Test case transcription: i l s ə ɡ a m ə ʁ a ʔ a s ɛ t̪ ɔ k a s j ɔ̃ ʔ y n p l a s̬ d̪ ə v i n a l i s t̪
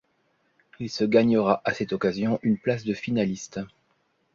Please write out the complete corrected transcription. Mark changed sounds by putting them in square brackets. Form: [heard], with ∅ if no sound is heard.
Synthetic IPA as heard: i l s ə ɡ a [ɲ] ə ʁ a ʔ a s ɛ t̪ ɔ k a [z] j ɔ̃ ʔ y n p l a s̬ d̪ ə [f] i n a l i s t̪